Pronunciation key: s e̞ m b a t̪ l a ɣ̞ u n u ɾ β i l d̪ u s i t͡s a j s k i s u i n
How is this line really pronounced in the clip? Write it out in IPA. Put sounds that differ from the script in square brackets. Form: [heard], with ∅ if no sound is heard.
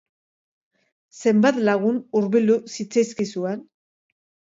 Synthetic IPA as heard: s e̞ m b a t̪ l a ɣ̞ u n u ɾ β i l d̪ u s i t͡s a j s k i s u [e] n